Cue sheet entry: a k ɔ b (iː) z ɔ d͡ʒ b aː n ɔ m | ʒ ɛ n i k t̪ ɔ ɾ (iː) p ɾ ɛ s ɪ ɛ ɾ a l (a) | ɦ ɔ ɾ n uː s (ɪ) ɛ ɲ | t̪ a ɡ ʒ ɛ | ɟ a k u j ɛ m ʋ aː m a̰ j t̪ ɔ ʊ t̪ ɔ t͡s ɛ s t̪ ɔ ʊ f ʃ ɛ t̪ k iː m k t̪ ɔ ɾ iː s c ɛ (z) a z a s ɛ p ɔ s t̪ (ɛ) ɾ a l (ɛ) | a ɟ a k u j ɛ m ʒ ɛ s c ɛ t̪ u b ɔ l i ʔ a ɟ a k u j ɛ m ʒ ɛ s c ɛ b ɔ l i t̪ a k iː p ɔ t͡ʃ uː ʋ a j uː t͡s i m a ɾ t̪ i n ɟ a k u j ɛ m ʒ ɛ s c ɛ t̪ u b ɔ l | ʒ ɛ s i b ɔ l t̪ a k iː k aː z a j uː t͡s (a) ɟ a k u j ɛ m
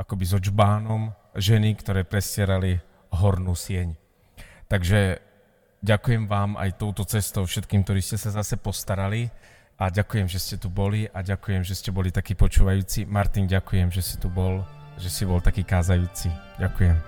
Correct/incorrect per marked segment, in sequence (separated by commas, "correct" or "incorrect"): incorrect, incorrect, incorrect, correct, incorrect, incorrect, incorrect, incorrect